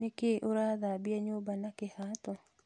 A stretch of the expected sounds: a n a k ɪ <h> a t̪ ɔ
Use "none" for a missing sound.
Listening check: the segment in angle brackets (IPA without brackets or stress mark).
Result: h